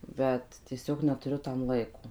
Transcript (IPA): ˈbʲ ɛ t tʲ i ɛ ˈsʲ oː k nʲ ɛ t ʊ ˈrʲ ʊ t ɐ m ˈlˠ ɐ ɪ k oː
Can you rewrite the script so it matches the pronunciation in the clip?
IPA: ˈbʲ ɛ t tʲ i ɛ ˈsʲ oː k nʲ ɛ t ʊ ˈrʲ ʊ t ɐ m ˈlˠ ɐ ɪ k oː